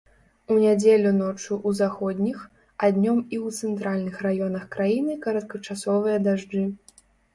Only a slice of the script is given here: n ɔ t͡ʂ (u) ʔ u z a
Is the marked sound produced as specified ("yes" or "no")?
yes